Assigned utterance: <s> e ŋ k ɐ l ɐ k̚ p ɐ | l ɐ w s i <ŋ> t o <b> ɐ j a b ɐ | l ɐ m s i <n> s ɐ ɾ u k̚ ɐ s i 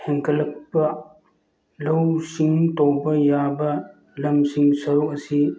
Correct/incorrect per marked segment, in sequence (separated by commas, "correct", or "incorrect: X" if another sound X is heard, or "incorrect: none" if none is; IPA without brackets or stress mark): incorrect: h, correct, correct, incorrect: ŋ